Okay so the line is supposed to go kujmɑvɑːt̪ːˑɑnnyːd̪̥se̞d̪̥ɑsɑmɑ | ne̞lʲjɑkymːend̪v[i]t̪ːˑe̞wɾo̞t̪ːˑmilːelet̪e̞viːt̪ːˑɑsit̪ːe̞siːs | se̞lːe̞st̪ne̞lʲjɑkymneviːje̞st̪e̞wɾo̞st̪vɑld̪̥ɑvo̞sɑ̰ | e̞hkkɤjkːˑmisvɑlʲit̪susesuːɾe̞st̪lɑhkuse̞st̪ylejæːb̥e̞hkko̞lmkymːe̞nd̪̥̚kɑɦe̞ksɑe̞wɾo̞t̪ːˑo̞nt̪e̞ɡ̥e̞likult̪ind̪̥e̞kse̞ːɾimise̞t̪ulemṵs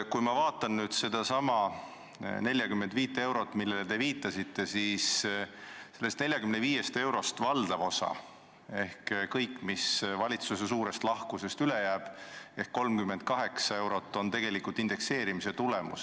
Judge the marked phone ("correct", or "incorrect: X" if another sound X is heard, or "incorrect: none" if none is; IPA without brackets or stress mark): incorrect: iː